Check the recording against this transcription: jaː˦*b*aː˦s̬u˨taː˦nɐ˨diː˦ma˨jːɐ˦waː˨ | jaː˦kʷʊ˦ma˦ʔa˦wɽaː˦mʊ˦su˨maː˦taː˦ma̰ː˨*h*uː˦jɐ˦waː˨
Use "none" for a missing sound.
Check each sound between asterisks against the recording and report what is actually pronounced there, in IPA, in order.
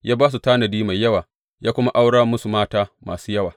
b, s

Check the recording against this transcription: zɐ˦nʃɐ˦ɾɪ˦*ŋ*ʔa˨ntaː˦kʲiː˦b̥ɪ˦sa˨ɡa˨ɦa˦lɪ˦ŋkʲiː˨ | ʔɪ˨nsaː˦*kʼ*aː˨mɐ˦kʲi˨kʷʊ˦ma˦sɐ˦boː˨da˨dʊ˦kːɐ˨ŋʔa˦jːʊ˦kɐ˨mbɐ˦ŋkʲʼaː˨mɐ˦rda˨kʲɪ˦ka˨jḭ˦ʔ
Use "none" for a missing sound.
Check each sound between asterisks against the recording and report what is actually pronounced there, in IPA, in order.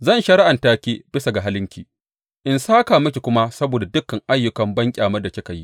none, k

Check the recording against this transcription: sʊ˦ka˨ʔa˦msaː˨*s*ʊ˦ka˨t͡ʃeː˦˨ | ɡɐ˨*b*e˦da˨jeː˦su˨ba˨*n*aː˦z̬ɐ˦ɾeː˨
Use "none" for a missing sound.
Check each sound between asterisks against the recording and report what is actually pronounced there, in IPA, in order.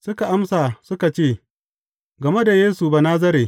s, m, n

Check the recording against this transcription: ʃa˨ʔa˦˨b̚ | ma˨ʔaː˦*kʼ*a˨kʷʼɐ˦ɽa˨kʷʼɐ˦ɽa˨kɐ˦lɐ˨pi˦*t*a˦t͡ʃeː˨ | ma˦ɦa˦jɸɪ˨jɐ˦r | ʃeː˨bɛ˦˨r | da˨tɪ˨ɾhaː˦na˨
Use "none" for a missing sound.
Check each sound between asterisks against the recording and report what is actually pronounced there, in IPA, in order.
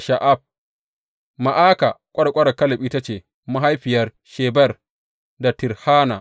k, t

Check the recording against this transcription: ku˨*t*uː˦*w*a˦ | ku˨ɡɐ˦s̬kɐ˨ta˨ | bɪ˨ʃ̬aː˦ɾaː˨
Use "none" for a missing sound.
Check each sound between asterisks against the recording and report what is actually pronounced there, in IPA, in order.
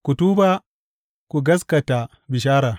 t, b

